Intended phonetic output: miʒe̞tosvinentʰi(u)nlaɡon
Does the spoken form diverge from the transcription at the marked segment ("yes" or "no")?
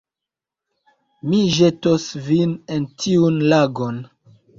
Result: no